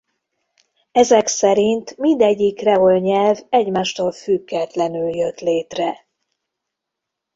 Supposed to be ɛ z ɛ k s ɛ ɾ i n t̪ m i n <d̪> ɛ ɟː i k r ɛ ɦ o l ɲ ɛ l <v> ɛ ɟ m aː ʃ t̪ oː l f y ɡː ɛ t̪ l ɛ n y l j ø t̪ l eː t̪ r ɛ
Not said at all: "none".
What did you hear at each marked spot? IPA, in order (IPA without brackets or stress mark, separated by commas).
d̪, v